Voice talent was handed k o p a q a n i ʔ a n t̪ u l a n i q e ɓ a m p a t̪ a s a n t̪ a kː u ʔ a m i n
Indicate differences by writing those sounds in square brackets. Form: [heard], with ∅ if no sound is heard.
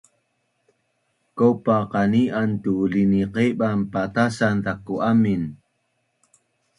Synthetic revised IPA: k o p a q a n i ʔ a n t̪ u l [i] n i q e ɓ a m p a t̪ a s a n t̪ a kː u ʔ a m i n